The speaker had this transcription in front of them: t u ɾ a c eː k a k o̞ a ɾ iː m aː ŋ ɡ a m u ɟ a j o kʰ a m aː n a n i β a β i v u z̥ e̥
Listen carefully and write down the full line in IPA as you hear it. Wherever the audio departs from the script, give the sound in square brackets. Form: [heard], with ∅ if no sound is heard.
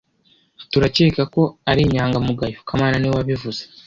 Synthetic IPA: t u ɾ a c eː k a k o̞ a ɾ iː [ɲ] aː ŋ ɡ a m u [ɡ] a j o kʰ a m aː n a n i [w] a β i v u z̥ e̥